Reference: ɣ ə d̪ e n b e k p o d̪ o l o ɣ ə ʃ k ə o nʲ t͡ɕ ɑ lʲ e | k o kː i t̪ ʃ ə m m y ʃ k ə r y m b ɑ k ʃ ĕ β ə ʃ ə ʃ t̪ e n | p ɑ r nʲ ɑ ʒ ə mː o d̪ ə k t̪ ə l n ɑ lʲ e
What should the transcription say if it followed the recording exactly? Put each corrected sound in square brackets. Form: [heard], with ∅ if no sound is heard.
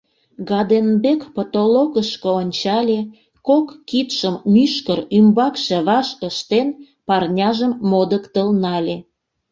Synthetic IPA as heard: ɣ [ɑ] d̪ e n b e k p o [t̪] o l o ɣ ə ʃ k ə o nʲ t͡ɕ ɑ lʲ e | k o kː i t̪ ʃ ə m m y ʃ k ə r y m b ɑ k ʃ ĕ β [ɑ] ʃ ə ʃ t̪ e n | p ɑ r nʲ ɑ ʒ ə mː o d̪ ə k t̪ ə l n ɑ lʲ e

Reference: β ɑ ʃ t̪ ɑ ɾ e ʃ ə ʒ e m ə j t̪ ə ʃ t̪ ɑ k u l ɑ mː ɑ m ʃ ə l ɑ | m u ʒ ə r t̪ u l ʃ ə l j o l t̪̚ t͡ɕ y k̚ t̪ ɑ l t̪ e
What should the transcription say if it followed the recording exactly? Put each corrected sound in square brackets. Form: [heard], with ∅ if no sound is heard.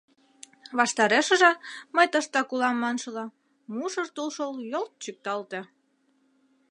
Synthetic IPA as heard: β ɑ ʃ t̪ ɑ ɾ e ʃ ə ʒ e m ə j t̪ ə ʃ t̪ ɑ k u l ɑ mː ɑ [n] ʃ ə l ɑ | m u [ʃ] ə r t̪ u l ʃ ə l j o l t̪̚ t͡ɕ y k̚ t̪ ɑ l t̪ e

